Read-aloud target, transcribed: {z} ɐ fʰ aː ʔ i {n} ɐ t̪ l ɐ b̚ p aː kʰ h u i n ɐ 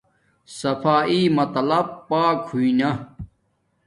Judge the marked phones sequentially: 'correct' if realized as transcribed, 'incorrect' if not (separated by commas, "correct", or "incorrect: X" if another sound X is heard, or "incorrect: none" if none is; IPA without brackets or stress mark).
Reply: incorrect: s, incorrect: m